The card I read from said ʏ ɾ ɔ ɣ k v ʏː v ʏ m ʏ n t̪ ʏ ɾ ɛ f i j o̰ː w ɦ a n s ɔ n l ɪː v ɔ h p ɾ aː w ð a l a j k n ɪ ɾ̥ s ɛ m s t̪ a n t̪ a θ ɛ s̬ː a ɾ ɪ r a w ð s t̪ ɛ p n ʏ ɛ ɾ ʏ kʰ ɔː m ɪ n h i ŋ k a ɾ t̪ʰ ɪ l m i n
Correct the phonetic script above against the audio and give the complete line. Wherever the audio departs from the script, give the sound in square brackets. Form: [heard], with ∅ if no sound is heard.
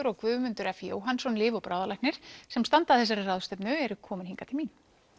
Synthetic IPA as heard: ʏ ɾ ɔ ɣ k v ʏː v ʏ m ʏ n t̪ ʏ ɾ ɛ f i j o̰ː w ɦ a n s ɔ n l ɪː v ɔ [∅] p ɾ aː w ð a l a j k n ɪ ɾ̥ s ɛ m s t̪ a n t̪ a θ ɛ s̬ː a ɾ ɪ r a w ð s t̪ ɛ p n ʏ ɛ ɾ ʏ kʰ ɔː m ɪ n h i ŋ k a [∅] t̪ʰ ɪ l m i n

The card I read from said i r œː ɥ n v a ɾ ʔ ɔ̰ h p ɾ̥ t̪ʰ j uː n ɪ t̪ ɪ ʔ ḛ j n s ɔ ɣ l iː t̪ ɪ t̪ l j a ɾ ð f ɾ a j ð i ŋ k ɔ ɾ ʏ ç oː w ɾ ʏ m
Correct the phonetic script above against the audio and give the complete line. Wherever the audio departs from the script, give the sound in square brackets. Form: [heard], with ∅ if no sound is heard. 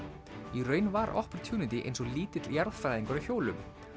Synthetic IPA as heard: i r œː ɥ n v a ɾ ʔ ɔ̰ h p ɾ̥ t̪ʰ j uː n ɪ t̪ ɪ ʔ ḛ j n s ɔ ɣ l iː t̪ ɪ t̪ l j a ɾ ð f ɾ a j ð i ŋ k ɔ ɾ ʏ ç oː w [l] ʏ m

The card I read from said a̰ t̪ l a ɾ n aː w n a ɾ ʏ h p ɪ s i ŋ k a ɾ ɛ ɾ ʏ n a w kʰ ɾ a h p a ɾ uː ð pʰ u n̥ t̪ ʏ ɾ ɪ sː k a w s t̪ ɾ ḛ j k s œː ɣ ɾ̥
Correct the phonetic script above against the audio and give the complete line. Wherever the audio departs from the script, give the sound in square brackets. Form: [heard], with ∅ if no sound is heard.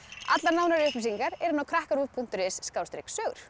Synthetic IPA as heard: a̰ t̪ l a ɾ n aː w n a ɾ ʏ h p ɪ s i ŋ k a ɾ ɛ ɾ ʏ n a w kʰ ɾ a h [k] a ɾ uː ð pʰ u n̥ t̪ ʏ ɾ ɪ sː k a w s t̪ ɾ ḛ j k s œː ɣ ɾ̥

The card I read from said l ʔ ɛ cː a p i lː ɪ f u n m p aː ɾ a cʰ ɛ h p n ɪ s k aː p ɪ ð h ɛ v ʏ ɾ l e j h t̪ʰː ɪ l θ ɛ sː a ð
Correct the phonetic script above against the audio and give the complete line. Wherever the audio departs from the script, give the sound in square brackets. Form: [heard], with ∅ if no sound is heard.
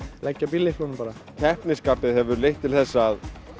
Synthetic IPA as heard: l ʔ ɛ cː a p i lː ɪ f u n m p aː ɾ a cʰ ɛ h p n ɪ s k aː p ɪ ð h ɛ v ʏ ɾ l e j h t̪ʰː ɪ l θ ɛ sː a ð

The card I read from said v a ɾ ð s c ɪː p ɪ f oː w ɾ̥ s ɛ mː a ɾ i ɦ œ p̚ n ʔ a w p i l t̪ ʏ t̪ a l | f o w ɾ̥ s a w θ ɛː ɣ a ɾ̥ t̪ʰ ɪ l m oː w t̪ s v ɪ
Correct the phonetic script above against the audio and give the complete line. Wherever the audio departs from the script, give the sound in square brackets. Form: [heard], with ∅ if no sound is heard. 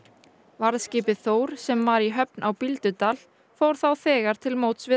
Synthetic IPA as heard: v a ɾ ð s c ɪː p ɪ [θ] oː w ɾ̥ s ɛ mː a ɾ i ɦ œ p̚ n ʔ a w p i l t̪ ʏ t̪ a l | f o w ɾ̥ [θ] a w θ ɛː ɣ a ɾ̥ t̪ʰ ɪ l m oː w t̪ s v ɪ

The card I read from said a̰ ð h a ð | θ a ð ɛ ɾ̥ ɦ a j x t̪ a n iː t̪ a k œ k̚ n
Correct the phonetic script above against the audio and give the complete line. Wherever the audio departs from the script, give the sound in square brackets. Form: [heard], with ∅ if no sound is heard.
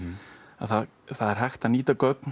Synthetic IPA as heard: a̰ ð [θ] a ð | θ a ð ɛ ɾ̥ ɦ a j x t̪ a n iː t̪ a k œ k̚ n

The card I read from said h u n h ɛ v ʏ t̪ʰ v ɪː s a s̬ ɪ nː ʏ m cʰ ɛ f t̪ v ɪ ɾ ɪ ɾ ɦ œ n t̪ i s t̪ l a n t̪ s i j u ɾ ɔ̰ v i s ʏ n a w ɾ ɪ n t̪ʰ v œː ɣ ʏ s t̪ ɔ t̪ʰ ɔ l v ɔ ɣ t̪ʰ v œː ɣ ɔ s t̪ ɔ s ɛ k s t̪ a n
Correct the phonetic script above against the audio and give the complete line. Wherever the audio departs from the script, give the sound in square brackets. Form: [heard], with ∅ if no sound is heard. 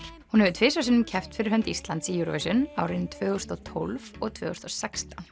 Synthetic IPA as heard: h u n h ɛ v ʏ t̪ʰ v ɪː s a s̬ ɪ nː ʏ m cʰ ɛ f t̪ [f] ɪ ɾ ɪ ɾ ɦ œ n t̪ i s t̪ l a n t̪ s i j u ɾ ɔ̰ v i s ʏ n a w ɾ ɪ n t̪ʰ v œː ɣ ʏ s t̪ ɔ t̪ʰ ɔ l v ɔ ɣ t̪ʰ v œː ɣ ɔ s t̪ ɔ s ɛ k s t̪ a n

